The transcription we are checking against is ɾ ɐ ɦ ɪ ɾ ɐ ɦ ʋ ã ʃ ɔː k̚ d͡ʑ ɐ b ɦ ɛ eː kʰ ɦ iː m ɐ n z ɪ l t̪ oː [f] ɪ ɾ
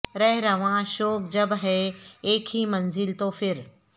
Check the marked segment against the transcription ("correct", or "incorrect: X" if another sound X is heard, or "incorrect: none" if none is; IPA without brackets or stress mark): correct